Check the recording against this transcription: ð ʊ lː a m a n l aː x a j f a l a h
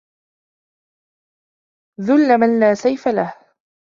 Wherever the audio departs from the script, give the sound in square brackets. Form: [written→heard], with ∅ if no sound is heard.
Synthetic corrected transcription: ð ʊ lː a m a n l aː [x→s] a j f a l a h